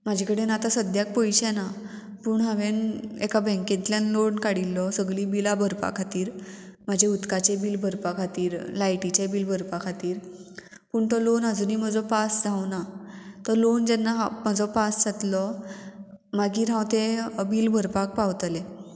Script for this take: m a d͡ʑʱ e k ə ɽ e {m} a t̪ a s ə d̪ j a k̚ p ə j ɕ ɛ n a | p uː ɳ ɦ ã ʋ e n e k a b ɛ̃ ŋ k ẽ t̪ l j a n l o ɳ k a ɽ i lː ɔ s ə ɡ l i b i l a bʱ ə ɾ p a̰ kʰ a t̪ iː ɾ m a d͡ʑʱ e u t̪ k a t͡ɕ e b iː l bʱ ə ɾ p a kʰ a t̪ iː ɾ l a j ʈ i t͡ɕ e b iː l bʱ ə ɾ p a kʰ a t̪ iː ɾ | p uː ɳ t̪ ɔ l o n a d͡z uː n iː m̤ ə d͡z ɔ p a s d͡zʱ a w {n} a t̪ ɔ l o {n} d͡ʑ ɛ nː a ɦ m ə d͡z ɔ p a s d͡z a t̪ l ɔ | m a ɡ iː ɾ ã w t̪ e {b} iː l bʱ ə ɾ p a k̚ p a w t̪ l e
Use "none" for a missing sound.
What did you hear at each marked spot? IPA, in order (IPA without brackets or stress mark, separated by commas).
n, n, n, b